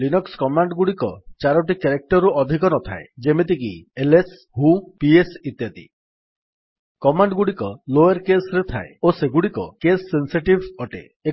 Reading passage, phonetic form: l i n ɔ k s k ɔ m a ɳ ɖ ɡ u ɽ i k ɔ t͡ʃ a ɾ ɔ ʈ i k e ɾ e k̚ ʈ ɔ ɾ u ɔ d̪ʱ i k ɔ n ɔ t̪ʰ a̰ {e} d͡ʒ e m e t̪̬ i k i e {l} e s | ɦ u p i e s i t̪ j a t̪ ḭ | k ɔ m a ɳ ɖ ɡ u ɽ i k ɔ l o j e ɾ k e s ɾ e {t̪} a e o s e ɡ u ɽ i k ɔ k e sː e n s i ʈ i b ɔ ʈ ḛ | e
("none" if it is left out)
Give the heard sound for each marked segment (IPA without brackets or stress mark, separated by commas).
e, l, t̪ʰ